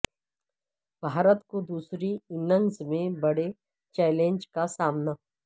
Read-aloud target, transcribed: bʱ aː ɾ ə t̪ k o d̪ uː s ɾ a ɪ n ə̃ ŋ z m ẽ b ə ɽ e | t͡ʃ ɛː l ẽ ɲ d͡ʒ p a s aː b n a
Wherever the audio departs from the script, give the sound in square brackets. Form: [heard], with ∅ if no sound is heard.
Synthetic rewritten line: bʱ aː ɾ ə t̪ k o d̪ uː s ɾ [i] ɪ n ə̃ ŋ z m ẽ b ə ɽ e | t͡ʃ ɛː l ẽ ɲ d͡ʒ [k] a s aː [m] n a